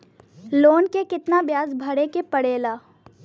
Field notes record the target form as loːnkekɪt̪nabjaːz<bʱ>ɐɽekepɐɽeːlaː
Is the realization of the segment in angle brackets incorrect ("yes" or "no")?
no